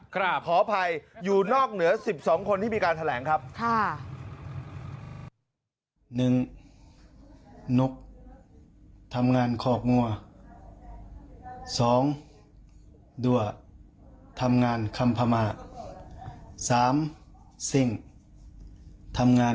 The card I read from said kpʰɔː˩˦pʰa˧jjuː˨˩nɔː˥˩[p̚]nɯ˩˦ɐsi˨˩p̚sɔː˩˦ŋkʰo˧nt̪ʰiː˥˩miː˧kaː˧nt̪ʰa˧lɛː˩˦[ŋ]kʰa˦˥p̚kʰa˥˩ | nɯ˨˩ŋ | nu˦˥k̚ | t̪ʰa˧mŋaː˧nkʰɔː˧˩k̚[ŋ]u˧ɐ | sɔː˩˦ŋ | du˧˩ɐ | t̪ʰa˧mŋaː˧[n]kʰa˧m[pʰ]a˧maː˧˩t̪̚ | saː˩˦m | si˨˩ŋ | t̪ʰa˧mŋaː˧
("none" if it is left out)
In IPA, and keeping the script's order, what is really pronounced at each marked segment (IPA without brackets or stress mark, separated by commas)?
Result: k̚, ŋ, ŋ, n, pʰ